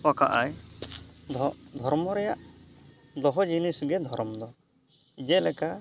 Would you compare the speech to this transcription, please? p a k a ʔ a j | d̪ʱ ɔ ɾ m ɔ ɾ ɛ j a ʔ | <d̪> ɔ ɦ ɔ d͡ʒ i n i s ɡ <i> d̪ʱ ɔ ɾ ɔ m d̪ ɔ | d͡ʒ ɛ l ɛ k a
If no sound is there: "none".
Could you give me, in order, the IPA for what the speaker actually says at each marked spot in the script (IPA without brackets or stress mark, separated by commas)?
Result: d̪, ɛ